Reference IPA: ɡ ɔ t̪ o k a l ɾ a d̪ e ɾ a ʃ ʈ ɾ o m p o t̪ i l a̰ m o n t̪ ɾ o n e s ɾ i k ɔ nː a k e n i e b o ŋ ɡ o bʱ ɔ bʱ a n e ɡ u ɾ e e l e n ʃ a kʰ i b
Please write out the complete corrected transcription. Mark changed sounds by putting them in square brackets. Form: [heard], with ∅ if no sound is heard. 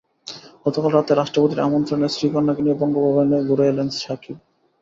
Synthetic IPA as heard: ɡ ɔ t̪ o k a l ɾ a [t̪] e ɾ a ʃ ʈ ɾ o [∅] p o t̪ i [ɾ] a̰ m o n t̪ ɾ o n e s ɾ i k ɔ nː a k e n i e b [ɔ] ŋ ɡ o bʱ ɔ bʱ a n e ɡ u ɾ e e l e n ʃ a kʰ i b

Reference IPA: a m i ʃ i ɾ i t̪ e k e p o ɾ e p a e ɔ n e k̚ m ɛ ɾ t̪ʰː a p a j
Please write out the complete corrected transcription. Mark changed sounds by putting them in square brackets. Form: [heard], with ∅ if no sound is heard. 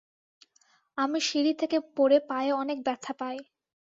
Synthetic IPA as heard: a m i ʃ i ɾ i [t̪ʰ] e k e p o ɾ e p a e ɔ n e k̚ [b] ɛ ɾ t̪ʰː a p a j

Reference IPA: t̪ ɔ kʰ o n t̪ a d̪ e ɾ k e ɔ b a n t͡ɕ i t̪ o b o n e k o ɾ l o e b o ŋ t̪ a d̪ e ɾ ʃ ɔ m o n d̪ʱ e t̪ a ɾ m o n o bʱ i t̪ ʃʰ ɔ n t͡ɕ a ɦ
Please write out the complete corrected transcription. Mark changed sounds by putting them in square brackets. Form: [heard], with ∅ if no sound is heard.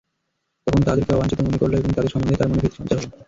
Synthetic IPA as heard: t̪ ɔ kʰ o n t̪ a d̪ e ɾ k e ɔ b a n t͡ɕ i t̪ o [m] o n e k o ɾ l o e b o ŋ t̪ a d̪ e ɾ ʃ ɔ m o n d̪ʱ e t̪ a ɾ m o n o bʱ i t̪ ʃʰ ɔ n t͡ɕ a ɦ

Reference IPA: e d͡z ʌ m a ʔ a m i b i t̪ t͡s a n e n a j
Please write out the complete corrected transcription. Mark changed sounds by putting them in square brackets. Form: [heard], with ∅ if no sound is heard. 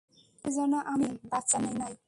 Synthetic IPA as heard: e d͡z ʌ [n] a ʔ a m i b [a] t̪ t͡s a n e n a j

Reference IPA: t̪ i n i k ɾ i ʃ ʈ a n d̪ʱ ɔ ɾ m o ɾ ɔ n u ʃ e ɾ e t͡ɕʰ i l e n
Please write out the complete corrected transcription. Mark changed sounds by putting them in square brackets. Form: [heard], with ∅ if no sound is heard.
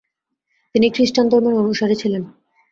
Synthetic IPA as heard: t̪ i n i k ɾ i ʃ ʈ a n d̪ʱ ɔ ɾ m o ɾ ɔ n u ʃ [a] ɾ e t͡ɕʰ i l e n

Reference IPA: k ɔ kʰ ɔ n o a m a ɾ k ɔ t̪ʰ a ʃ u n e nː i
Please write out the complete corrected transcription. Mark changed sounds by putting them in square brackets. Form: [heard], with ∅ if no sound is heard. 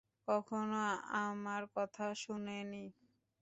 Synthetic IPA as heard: k ɔ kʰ [o] n o a m a ɾ k ɔ t̪ʰ a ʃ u n e [n] i

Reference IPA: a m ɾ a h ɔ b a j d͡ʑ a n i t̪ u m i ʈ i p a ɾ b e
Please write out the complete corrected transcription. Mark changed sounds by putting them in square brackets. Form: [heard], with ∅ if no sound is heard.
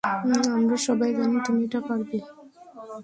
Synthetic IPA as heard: a m ɾ a [ʃ] ɔ b a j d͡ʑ a n i t̪ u m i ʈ [a] p a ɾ b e

